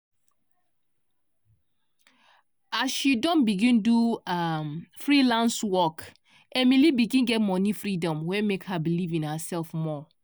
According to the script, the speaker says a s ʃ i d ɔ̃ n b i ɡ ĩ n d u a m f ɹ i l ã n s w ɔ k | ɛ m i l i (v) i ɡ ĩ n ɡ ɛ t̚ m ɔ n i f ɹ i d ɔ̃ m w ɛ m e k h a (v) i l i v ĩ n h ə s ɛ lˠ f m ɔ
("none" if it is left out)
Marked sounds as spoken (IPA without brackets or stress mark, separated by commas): b, b